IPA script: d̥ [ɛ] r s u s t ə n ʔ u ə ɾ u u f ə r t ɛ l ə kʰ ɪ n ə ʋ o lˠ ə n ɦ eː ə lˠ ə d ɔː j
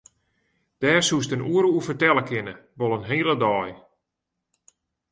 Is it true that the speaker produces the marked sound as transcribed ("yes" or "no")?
no